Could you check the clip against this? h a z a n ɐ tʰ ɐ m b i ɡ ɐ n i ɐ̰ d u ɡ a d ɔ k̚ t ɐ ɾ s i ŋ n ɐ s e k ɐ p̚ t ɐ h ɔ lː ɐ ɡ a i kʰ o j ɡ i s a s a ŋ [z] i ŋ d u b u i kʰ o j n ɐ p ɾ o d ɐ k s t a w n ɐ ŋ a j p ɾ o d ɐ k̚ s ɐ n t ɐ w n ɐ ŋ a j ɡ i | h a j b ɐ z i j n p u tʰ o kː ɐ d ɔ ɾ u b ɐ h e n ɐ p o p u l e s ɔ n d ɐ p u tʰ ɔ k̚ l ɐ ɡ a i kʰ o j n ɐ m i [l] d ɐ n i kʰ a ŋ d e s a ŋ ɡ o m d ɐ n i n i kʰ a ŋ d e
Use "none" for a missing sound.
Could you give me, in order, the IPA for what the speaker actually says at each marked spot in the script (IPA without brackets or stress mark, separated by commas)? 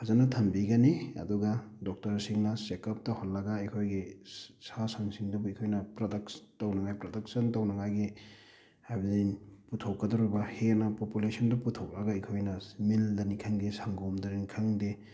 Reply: s, l